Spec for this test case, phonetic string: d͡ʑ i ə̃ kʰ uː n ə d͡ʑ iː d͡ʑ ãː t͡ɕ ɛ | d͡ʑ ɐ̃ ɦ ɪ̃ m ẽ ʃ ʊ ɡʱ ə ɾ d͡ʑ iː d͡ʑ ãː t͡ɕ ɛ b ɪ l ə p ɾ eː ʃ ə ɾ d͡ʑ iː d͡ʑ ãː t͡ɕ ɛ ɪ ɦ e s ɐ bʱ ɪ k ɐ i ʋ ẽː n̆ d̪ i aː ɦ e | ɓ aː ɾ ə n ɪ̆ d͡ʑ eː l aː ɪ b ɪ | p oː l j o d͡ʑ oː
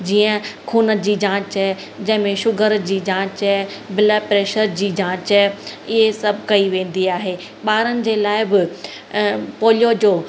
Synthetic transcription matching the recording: d͡ʑ iː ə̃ kʰ uː n ə d͡ʑ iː d͡ʑ ãː t͡ɕ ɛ | d͡ʑ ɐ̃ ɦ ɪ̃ m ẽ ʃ ʊ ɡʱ ə ɾ d͡ʑ iː d͡ʑ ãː t͡ɕ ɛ b ɪ l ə p ɾ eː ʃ ə ɾ d͡ʑ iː d͡ʑ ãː t͡ɕ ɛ ɪ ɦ e s ɐ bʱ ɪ k ɐ i ʋ ẽː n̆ d̪ i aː ɦ e | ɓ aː ɾ ə n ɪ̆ d͡ʑ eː l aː ɪ b ɪ | p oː l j o d͡ʑ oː